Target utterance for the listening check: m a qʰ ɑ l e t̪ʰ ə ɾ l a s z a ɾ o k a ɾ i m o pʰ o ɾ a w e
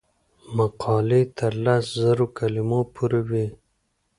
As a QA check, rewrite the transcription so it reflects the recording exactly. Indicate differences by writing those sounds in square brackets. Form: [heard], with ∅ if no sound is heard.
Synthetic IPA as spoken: m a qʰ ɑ l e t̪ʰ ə ɾ l a s z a ɾ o k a [l] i m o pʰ [u] ɾ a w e